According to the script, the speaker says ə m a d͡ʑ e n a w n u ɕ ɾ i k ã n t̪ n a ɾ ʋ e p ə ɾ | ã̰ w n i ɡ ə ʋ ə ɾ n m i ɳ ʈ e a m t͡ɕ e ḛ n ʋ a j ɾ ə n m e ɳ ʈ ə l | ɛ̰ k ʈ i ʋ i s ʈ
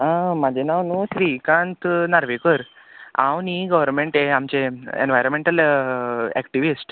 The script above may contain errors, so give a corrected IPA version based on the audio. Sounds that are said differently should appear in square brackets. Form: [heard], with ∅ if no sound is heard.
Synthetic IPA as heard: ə m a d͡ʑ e n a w n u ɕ ɾ i k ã n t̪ n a ɾ ʋ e [k] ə ɾ | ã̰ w n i ɡ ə ʋ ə ɾ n m [e] ɳ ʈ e a m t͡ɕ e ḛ n ʋ a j ɾ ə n m e ɳ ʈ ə l | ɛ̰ k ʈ i ʋ i s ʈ